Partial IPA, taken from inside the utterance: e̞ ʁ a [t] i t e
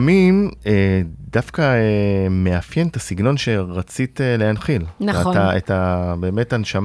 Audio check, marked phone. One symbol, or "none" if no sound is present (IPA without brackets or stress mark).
t͡s